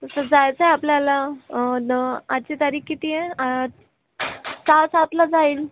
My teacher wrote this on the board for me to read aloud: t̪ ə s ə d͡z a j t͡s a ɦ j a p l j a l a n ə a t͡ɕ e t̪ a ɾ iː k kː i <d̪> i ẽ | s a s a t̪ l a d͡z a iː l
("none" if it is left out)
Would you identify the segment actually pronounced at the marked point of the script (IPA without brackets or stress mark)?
t̪